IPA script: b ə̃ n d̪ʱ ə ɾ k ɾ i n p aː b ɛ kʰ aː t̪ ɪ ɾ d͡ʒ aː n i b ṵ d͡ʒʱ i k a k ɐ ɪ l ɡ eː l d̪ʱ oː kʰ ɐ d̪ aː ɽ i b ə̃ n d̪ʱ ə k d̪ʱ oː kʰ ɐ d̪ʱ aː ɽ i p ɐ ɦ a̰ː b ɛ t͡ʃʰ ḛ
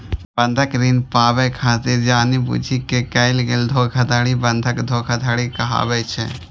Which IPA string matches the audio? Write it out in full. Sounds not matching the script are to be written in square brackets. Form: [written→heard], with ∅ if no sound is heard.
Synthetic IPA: b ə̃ n d̪ʱ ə [ɾ→∅] k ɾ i n p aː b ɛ kʰ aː t̪ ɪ ɾ d͡ʒ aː n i b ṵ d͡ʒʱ i k [a→e] k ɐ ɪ l ɡ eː l d̪ʱ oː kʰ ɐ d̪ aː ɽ i b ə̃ n d̪ʱ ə k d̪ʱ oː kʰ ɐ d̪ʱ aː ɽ i [p→k] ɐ ɦ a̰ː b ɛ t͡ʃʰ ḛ